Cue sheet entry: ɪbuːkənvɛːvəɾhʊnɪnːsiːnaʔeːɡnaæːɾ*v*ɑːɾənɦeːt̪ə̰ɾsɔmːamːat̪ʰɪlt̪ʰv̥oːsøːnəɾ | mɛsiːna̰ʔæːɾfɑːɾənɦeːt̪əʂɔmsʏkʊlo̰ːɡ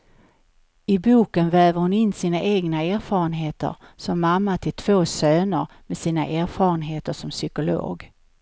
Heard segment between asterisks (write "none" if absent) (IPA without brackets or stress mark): f